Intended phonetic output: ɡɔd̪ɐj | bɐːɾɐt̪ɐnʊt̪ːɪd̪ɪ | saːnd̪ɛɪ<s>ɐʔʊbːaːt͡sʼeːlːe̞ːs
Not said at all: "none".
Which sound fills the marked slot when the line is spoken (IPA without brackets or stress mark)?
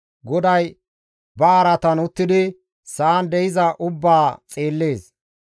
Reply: z